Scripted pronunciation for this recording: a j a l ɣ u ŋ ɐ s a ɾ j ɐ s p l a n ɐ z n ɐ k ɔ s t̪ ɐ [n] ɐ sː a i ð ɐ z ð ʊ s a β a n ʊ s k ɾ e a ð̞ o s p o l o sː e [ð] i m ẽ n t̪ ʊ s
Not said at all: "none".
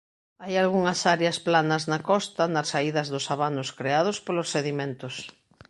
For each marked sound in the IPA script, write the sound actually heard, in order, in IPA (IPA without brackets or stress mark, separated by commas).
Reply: n, ð